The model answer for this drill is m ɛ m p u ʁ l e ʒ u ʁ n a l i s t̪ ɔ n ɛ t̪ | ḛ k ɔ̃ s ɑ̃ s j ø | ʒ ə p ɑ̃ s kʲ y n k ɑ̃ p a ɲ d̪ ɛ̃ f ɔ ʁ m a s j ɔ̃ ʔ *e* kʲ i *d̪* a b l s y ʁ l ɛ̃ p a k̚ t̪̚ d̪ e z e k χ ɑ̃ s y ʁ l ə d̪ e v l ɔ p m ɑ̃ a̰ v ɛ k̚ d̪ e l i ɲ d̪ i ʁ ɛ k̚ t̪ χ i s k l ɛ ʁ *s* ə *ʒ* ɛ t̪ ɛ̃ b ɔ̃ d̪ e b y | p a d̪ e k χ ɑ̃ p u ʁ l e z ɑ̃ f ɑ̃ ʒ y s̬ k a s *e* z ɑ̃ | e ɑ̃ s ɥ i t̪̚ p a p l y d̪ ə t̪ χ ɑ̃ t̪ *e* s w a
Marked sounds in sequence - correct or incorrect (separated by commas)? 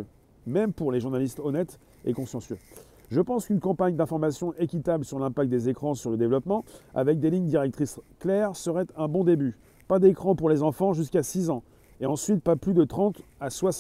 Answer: correct, incorrect, correct, incorrect, incorrect, incorrect